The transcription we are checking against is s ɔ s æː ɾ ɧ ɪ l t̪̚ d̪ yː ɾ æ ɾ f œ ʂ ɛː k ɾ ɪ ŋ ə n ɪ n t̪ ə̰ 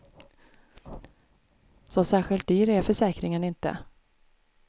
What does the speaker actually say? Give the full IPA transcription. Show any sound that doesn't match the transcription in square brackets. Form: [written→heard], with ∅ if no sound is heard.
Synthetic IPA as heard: s ɔ s æː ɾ ɧ ɪ l t̪̚ d̪ yː ɾ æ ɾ f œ ʂ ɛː k ɾ ɪ ŋ ə n ɪ n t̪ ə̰